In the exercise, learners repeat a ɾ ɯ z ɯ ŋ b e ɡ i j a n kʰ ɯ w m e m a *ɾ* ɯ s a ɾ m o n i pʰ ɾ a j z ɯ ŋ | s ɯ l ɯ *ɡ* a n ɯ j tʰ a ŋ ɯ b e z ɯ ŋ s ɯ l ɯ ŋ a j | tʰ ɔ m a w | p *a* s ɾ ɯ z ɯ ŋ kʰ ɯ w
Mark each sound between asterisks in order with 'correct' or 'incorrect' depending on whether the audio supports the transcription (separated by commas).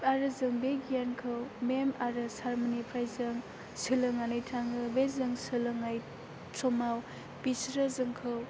correct, incorrect, incorrect